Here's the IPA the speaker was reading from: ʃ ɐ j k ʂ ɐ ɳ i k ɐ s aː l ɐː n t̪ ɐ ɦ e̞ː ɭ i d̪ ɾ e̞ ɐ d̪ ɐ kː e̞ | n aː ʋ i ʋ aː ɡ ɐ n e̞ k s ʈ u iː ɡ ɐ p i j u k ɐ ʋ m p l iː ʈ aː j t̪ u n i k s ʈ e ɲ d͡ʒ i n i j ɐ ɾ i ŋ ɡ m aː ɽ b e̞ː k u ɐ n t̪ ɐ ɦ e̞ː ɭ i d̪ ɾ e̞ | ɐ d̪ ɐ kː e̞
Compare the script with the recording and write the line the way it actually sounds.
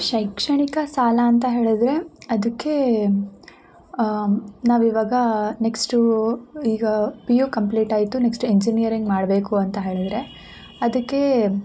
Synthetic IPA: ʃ ɐ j k ʂ ɐ ɳ i k ɐ s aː l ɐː n t̪ ɐ ɦ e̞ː ɭ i d̪ ɾ e̞ ɐ d̪ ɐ kː e̞ | n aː ʋ i ʋ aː ɡ ɐ n e̞ k s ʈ u iː ɡ ɐ p i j u k ɐ m p l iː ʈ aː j t̪ u n e k s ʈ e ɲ d͡ʒ i n i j ɐ ɾ i ŋ ɡ m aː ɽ b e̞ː k u ɐ n t̪ ɐ ɦ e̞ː ɭ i d̪ ɾ e̞ | ɐ d̪ ɐ kː e̞